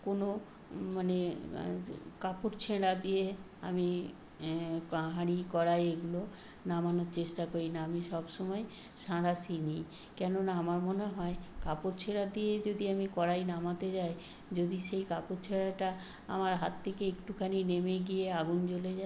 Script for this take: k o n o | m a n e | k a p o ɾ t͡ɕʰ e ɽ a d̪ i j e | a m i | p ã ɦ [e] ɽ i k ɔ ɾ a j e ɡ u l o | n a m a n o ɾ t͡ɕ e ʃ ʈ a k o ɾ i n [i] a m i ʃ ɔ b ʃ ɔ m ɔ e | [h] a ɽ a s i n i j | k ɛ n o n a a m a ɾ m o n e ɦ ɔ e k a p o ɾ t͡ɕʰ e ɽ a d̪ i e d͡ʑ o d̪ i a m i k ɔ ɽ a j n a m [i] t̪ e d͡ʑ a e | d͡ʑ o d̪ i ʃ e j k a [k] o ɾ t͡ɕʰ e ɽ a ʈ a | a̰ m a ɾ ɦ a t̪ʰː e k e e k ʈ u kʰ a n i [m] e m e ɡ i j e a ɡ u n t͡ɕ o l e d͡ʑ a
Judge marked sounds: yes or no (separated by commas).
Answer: no, no, no, no, no, no